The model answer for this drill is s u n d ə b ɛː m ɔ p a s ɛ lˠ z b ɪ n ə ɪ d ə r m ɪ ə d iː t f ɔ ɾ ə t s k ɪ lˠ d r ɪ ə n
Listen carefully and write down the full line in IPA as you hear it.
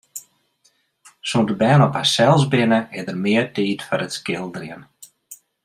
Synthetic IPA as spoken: s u n d ə b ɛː n ɔ p a s ɛ lˠ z b ɪ n ə ɪ d ə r m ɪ ə t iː t f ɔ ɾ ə t s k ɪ lˠ d r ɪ ə n